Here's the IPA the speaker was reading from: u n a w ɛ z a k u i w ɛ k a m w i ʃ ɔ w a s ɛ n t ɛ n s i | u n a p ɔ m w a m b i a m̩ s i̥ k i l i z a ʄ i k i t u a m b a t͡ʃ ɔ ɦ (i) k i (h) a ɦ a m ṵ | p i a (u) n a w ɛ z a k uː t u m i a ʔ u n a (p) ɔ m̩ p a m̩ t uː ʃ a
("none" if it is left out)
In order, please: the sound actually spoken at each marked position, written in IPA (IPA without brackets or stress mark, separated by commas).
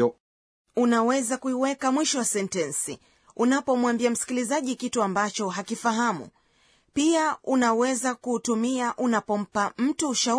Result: a, f, u, p